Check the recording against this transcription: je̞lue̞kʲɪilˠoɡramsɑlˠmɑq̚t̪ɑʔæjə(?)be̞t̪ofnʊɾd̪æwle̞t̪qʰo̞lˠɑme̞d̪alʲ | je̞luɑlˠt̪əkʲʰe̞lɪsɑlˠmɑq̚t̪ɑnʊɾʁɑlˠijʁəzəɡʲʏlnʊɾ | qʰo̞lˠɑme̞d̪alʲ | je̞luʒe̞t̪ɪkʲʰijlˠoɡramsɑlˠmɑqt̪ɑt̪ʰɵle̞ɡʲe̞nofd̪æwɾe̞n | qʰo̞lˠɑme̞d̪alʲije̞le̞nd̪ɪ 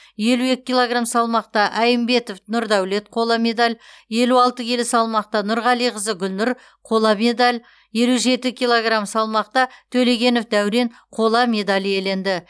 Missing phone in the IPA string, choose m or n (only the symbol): m